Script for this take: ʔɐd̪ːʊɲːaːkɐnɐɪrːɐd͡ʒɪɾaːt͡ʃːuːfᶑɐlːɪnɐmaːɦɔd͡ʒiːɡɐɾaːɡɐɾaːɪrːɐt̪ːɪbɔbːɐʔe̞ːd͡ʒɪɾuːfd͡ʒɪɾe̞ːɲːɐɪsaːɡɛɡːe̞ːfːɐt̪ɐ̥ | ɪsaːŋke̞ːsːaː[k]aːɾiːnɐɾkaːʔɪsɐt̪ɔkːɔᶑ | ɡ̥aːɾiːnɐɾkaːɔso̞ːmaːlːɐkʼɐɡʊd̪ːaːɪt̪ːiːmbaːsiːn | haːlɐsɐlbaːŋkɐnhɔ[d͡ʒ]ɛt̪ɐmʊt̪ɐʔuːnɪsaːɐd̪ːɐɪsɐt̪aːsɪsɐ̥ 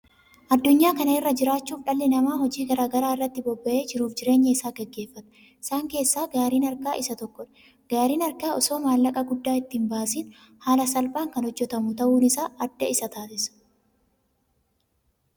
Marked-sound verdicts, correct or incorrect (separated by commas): incorrect, incorrect